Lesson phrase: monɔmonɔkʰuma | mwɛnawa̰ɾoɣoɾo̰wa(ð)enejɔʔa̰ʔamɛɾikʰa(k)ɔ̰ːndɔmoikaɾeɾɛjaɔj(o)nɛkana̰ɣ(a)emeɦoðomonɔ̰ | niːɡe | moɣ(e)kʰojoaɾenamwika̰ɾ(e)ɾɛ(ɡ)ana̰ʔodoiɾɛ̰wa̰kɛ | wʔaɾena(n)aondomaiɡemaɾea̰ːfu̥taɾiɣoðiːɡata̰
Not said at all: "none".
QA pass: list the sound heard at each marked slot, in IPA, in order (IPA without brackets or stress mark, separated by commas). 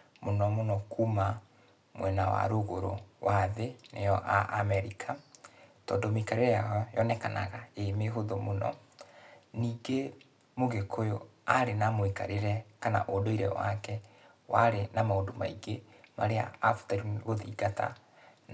ð, t, ɔ, a, e, e, k, m